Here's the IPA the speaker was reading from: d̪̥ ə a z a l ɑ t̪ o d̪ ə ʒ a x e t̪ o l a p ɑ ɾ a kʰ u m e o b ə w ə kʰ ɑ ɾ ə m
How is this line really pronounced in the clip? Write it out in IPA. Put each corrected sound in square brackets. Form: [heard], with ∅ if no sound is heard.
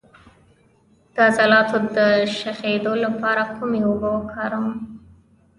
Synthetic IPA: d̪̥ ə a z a l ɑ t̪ o d̪ ə [ʃ] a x e [d̪] o l a p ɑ ɾ a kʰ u m e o b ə w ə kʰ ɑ ɾ ə m